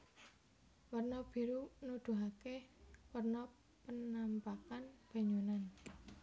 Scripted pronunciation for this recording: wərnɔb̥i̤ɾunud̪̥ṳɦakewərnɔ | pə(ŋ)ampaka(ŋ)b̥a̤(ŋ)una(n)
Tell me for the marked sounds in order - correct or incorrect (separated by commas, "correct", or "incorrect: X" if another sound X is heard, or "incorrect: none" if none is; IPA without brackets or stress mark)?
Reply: incorrect: n, incorrect: n, incorrect: ɲ, correct